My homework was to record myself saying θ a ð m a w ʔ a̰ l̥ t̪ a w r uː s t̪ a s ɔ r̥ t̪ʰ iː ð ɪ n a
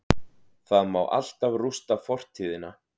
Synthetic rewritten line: θ a ð m a w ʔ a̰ l̥ t̪ a v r u s t̪ a f ɔ r̥ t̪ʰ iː ð ɪ n a